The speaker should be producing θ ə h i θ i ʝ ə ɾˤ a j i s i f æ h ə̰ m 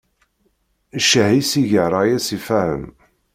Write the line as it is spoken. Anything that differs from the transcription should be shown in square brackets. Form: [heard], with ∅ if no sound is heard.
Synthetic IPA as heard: [ʃ] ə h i [s] i ʝ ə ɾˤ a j [æ] s i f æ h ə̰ m